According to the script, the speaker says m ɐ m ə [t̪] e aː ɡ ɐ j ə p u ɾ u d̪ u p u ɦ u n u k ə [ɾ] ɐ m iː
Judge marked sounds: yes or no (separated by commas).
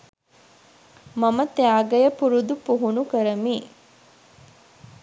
yes, yes